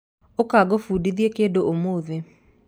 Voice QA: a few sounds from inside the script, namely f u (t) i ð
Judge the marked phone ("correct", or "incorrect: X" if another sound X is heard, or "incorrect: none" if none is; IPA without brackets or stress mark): incorrect: d